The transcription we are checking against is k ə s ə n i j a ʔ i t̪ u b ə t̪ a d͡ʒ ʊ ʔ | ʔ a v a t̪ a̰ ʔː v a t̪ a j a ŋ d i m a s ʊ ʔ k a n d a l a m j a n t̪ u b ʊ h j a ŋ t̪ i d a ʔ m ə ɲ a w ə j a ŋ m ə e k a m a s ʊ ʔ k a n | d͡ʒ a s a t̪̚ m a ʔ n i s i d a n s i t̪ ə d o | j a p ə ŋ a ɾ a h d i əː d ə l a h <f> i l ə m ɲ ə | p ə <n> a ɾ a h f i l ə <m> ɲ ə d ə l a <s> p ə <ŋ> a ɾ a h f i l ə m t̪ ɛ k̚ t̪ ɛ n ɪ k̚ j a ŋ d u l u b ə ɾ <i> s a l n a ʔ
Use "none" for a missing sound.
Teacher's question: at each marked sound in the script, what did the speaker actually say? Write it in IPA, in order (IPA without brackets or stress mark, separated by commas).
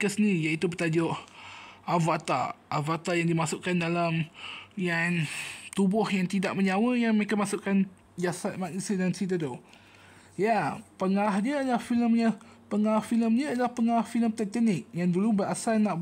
f, ŋ, m, h, ŋ, a